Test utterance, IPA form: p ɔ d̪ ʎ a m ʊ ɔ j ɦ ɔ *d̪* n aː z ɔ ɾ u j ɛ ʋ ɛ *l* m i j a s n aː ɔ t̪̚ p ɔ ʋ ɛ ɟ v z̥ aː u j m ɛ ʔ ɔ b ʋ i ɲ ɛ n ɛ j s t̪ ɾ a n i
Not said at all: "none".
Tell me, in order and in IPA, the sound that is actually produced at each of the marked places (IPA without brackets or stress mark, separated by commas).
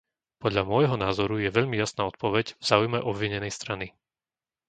none, ʎ